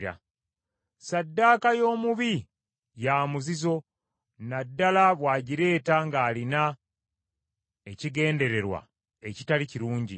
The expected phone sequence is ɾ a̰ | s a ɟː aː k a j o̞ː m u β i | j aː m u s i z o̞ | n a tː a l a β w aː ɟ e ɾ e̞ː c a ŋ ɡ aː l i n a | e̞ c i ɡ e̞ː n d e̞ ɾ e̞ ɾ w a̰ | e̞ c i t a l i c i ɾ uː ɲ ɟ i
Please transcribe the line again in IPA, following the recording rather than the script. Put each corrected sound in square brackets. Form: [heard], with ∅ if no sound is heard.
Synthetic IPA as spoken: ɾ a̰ | s a [dː] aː k a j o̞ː m u β i | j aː m u [z] i z o̞ | n a [dː] a l a β w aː ɟ [i] ɾ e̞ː [t] a ŋ ɡ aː l i n a | e̞ c i ɡ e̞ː n d e̞ ɾ e̞ ɾ w a̰ | e̞ c i t a l i c i ɾ uː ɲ ɟ i